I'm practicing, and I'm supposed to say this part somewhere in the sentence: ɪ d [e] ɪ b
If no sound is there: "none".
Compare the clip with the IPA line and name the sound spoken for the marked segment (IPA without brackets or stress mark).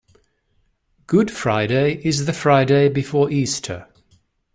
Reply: e